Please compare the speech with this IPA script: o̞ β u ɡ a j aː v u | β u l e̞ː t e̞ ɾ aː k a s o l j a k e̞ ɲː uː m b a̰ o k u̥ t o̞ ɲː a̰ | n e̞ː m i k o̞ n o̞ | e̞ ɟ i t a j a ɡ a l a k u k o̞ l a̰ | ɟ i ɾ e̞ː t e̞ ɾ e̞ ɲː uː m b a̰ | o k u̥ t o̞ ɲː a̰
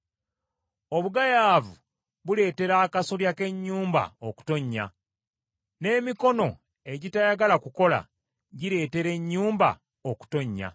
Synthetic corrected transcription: o̞ β u ɡ a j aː v u | β u l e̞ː t e̞ ɾ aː k a s o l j a k e̞ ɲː uː m b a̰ o k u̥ t o̞ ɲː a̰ | n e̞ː m i k o̞ n o̞ | e̞ ɟ i t a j a ɡ a l a k u k o̞ l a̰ | ɟ i ɾ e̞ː t e̞ ɾ e̞ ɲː uː m b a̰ | o k u̥ t o̞ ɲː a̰